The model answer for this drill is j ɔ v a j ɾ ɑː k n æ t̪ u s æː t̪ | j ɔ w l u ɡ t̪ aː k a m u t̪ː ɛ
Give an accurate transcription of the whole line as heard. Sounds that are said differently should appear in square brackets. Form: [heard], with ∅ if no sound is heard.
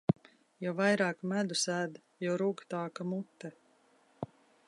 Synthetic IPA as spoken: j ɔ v a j ɾ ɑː k [m] æ [d̪] u s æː [d̪] | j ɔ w [ɾ] u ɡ t̪ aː k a m u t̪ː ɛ